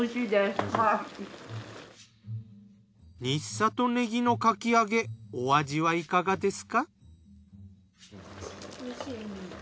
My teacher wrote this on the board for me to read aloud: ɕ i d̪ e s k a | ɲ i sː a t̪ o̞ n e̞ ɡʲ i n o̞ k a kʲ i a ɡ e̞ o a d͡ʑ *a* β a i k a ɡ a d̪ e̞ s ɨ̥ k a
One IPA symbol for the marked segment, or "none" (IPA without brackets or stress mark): i